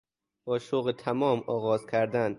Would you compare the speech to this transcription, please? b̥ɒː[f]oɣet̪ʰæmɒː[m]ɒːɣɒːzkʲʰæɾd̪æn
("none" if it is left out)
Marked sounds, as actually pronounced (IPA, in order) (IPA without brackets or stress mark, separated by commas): ʃ, m